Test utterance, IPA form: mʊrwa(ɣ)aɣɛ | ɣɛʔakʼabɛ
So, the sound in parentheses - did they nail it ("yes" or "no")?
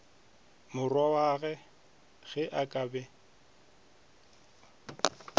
no